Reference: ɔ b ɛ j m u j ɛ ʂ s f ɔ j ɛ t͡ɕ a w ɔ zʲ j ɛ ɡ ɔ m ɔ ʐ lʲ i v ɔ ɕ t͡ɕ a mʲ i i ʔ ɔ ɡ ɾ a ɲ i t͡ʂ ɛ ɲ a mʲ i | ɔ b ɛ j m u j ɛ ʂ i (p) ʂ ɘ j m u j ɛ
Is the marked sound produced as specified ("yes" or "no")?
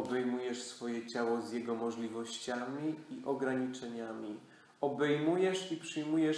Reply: yes